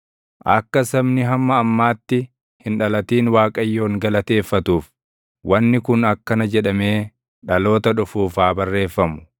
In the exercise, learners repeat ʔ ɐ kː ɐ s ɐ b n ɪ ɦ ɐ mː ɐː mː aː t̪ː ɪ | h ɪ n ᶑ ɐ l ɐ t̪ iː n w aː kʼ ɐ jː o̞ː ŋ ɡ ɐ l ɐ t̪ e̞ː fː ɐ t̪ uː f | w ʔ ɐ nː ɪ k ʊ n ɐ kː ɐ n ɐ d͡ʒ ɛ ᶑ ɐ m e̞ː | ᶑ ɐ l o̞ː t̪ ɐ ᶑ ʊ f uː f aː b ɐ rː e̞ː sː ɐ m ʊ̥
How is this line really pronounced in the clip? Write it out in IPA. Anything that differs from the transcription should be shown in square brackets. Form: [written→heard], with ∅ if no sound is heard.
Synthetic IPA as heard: ʔ ɐ kː ɐ s ɐ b n ɪ ɦ ɐ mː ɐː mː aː t̪ː ɪ | h ɪ n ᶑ ɐ l ɐ t̪ iː n w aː kʼ ɐ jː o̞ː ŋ ɡ ɐ l ɐ t̪ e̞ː fː ɐ t̪ uː f | w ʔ ɐ nː ɪ k ʊ n ɐ kː ɐ n ɐ d͡ʒ ɛ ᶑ ɐ m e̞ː | ᶑ ɐ l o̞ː t̪ ɐ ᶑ ʊ f uː f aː b ɐ rː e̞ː [sː→fː] ɐ m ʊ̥